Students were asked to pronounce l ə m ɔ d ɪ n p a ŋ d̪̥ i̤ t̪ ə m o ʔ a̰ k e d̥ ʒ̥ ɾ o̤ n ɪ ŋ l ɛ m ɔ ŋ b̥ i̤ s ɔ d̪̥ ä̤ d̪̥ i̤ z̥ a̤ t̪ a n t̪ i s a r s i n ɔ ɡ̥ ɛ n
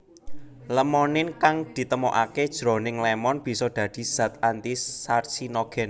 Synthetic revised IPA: l ə m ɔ n ɪ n k a ŋ d̪̥ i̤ t̪ ə m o ʔ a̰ k e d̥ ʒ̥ ɾ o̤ n ɪ ŋ l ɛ m ɔ n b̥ i̤ s ɔ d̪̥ ä̤ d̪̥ i̤ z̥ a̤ t̪ a n t̪ i s a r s i n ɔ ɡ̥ ɛ n

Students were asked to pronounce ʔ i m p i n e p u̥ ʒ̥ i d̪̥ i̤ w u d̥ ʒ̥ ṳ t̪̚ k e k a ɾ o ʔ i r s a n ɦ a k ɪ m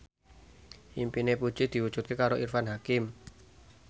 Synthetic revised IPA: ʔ i m p i n e p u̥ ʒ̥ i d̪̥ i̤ w u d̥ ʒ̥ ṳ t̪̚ k e k a ɾ o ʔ i r f a n ɦ a k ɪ m

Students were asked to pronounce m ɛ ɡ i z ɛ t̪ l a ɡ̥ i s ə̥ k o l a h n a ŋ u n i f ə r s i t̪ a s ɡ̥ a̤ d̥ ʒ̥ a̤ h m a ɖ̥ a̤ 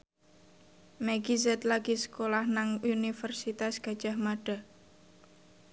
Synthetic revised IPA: m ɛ ɡ i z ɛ t̪ l a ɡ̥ i s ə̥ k o l a h n a ŋ u n i f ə r s i t̪ a s ɡ̥ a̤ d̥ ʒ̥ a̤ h m a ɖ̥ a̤

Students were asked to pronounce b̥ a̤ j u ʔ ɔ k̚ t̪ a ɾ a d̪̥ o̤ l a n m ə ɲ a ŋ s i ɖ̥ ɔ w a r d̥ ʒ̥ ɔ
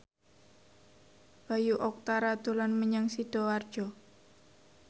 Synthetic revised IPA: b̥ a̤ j u ʔ ɔ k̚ t̪ a ɾ a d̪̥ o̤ l a n m ə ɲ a ŋ s i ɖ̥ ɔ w a r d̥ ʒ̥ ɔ

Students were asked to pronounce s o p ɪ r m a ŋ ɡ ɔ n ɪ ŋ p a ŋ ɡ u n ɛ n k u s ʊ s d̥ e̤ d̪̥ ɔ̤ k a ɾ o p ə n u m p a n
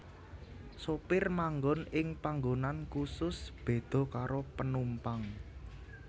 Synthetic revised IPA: s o p ɪ r m a ŋ ɡ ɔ n ɪ ŋ p a ŋ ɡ o n a n k u s ʊ s b̥ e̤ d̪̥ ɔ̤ k a ɾ o p ə n u m p a ŋ

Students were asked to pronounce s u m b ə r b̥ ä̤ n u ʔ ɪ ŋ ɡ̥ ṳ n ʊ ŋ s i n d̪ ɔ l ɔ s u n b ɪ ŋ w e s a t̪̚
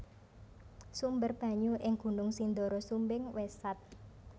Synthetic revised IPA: s u m b ə r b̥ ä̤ ɲ u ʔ ɪ ŋ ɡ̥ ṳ n ʊ ŋ s i n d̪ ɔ ɾ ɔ s u m b ɪ ŋ w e s a t̪̚

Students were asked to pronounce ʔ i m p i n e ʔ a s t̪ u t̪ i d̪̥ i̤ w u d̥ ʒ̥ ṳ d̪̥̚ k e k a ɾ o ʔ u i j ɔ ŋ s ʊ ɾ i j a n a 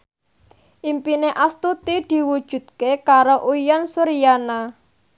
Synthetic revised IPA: ʔ i m p i n e ʔ a s t̪ u t̪ i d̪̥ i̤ w u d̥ ʒ̥ ṳ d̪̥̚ k e k a ɾ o ʔ u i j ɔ n s u ɾ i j a n a

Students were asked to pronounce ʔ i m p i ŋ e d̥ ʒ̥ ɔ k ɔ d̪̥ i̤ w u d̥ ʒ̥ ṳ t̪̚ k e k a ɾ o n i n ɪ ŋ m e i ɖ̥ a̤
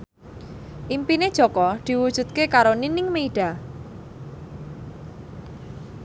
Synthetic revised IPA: ʔ i m p i n e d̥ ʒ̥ ɔ k ɔ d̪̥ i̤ w u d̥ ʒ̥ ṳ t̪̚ k e k a ɾ o n i n ɪ ŋ m e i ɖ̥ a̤

